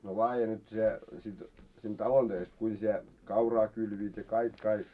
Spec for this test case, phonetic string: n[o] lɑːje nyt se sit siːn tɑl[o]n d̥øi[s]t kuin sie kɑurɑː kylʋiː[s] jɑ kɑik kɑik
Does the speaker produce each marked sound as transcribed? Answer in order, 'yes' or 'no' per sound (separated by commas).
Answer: yes, yes, yes, no